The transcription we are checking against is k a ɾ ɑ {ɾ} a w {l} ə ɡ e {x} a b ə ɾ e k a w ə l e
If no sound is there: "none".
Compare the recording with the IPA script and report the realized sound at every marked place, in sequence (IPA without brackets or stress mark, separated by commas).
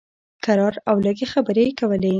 ɾ, l, x